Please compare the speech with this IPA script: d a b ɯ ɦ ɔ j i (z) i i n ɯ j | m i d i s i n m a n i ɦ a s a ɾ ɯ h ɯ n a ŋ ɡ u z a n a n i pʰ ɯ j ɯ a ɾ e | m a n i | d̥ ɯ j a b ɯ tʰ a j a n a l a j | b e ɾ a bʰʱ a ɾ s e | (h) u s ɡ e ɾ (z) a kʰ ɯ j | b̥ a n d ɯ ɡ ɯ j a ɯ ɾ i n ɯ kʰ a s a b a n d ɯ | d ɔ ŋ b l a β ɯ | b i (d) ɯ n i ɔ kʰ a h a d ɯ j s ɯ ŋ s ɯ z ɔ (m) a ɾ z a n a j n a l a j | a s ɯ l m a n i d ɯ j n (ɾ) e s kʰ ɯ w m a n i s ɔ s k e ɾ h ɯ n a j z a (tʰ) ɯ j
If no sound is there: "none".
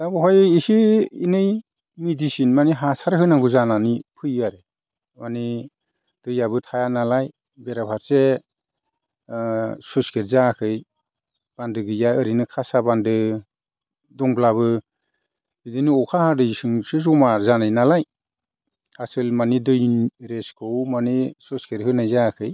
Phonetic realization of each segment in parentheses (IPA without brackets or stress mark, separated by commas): s, s, z, d, m, ɾ, kʰ